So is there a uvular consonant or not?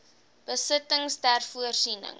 no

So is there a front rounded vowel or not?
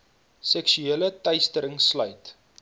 yes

